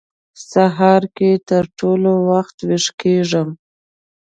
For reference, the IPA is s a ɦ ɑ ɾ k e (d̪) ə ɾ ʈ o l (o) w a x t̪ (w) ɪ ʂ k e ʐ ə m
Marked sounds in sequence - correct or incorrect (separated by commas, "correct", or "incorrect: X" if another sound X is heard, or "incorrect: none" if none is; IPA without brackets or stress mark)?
incorrect: t̪, correct, correct